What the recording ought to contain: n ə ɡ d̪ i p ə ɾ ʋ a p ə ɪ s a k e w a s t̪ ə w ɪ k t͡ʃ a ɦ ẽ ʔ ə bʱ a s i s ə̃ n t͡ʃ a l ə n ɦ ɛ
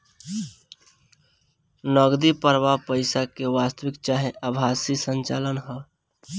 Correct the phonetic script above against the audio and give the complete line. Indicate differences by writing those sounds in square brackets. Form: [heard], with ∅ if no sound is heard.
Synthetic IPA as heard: n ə ɡ d̪ i p ə ɾ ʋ a p ə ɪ s a k e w a s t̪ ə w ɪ k t͡ʃ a ɦ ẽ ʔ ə bʱ a s i s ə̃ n t͡ʃ a l ə n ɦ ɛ